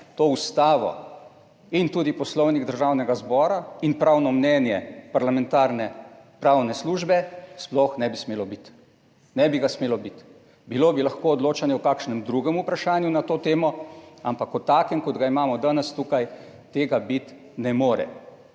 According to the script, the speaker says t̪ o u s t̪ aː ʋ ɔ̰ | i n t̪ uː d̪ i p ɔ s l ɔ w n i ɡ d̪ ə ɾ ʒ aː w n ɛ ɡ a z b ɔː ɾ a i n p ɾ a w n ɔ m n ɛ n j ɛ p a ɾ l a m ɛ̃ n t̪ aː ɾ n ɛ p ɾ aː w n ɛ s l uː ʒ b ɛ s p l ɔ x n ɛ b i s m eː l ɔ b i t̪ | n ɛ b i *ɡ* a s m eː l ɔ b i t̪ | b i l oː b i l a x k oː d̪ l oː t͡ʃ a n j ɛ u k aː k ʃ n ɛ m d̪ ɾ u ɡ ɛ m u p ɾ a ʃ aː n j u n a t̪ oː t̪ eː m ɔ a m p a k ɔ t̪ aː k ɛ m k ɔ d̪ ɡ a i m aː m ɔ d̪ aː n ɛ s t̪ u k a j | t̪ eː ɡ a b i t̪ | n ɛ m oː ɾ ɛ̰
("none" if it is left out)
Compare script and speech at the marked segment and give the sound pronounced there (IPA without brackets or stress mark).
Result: ɡ